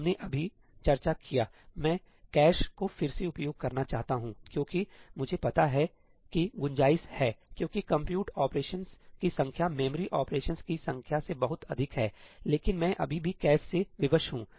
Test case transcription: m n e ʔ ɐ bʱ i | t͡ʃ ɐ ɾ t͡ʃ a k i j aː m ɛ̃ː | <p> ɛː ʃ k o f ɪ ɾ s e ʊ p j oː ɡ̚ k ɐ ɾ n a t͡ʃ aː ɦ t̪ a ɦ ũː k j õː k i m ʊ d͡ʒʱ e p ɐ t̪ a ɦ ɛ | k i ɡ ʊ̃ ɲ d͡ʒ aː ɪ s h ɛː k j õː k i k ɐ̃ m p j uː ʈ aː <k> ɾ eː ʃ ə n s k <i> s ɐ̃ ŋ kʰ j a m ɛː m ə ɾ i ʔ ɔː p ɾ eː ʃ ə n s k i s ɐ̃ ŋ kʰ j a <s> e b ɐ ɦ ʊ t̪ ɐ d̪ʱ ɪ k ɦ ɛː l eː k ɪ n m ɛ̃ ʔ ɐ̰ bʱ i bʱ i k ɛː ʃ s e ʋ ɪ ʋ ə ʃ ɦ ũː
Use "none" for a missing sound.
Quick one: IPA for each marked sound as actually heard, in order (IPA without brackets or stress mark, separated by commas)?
k, p, i, s